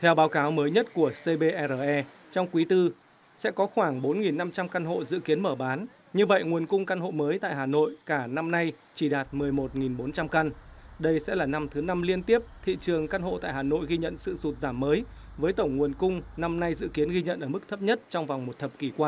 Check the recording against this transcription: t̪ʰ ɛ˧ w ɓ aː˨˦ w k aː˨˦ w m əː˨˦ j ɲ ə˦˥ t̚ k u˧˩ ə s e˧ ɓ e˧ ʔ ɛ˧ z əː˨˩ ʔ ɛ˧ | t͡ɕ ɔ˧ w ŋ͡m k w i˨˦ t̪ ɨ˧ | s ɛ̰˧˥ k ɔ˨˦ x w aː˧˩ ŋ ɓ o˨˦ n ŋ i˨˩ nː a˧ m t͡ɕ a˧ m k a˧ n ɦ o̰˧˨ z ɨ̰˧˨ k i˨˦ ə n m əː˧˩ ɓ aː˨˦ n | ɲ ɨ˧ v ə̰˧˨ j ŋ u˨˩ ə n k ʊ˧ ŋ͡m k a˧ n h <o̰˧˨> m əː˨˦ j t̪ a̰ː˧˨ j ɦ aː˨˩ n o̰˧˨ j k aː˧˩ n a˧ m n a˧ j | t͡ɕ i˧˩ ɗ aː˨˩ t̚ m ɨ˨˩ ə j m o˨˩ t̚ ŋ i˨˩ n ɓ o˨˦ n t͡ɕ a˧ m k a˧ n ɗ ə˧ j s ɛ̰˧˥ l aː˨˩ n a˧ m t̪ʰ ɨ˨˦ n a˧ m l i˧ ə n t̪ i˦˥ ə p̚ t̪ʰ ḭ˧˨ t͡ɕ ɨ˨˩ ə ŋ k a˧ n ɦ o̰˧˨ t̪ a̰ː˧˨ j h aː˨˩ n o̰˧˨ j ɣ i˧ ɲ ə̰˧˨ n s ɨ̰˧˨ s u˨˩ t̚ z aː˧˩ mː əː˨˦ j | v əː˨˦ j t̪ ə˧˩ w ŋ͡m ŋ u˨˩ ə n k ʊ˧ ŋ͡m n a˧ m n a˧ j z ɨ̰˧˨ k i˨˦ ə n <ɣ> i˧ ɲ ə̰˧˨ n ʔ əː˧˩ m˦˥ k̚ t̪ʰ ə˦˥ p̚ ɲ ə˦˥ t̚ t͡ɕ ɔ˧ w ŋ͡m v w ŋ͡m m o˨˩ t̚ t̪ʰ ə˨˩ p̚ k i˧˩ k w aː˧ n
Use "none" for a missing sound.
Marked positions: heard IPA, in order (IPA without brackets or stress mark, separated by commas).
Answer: o̰˧˨, ɣ